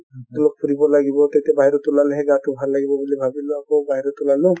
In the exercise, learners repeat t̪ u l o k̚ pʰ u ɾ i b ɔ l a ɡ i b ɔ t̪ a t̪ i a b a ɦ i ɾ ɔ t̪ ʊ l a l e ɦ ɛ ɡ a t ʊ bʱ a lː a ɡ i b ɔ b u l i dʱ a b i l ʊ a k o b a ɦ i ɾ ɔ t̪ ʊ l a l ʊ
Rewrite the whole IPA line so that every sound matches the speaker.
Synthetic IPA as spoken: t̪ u l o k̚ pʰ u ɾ i b ɔ l a ɡ i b ɔ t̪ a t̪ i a b a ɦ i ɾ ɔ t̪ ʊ l a l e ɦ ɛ ɡ a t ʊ bʱ a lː a ɡ i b ɔ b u l i bʱ a b i l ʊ a k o b a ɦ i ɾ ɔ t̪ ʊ l a l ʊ